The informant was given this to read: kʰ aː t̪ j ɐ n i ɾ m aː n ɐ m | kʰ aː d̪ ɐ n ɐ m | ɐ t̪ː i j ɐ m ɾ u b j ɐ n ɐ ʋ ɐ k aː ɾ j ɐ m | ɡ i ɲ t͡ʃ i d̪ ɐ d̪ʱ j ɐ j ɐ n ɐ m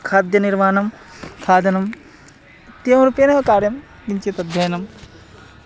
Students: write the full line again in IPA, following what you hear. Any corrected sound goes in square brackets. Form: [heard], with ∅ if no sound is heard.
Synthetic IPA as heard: kʰ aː [d̪] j ɐ n i ɾ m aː n ɐ m | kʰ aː d̪ ɐ n ɐ m | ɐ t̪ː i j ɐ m ɾ u [p] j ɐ n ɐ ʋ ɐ k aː ɾ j ɐ m | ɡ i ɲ t͡ʃ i [t̪] ɐ d̪ʱ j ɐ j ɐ n ɐ m